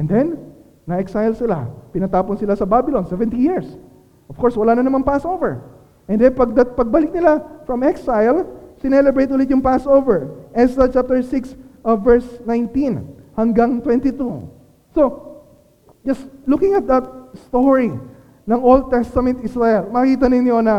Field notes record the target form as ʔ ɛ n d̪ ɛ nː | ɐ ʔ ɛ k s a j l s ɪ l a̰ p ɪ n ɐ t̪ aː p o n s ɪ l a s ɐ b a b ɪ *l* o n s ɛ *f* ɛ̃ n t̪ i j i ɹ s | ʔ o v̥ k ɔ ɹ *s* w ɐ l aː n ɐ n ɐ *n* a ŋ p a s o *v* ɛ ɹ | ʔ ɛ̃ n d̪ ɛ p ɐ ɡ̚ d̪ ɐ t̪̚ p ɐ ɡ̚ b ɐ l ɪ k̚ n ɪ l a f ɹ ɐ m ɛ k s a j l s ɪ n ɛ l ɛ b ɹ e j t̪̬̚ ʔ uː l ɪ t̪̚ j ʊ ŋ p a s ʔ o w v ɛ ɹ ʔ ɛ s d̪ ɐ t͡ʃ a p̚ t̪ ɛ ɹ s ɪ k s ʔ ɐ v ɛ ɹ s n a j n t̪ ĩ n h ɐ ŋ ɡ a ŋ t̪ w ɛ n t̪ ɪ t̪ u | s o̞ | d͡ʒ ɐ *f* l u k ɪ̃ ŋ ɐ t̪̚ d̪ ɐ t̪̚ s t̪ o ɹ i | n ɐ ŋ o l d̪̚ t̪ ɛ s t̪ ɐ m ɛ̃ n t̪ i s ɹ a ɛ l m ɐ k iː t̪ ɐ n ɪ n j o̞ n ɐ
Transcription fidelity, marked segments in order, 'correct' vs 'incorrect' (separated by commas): correct, incorrect, correct, incorrect, correct, incorrect